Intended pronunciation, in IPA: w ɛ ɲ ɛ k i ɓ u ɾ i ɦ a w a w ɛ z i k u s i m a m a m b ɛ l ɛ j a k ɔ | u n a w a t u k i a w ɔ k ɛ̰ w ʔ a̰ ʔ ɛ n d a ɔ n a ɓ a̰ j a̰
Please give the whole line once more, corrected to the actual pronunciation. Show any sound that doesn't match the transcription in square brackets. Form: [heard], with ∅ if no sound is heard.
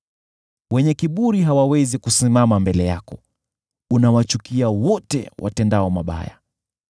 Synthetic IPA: w ɛ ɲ ɛ k i ɓ u ɾ i ɦ a w a w ɛ z i k u s i m a m a m b ɛ l ɛ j a k ɔ | u n a w a [t͡ʃ] u k i a w ɔ [t] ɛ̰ w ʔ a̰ [t] ɛ n d a ɔ [m] a ɓ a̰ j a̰